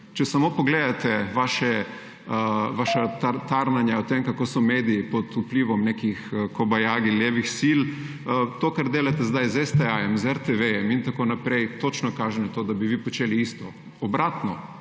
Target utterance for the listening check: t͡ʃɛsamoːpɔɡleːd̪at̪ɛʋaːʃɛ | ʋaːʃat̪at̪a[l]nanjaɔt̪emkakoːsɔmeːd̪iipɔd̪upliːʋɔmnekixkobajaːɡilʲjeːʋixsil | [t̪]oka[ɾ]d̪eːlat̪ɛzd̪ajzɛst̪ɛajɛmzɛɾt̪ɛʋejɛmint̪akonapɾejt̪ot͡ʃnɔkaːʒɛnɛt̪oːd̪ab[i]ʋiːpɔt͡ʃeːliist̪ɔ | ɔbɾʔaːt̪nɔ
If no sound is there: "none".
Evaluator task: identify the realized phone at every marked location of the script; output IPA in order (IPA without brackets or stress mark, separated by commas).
ɾ, t̪, ɾ, i